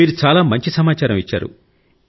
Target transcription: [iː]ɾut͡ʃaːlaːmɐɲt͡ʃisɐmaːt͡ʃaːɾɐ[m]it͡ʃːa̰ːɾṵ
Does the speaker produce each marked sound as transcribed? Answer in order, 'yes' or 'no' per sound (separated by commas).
yes, yes